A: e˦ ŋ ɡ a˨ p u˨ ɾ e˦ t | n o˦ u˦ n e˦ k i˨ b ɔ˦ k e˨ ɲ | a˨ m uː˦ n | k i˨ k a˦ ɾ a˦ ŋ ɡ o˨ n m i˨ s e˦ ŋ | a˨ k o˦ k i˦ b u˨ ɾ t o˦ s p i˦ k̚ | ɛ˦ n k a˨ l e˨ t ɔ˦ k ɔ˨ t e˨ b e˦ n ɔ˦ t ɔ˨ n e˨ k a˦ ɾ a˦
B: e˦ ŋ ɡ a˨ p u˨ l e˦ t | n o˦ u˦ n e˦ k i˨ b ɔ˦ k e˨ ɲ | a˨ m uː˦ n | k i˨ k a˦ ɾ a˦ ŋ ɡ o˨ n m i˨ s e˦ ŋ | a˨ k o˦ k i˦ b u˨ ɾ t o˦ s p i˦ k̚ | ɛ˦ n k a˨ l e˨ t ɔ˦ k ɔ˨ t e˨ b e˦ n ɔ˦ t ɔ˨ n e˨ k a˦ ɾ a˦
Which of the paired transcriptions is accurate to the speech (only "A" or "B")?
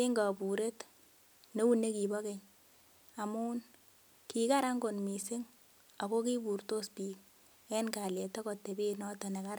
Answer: A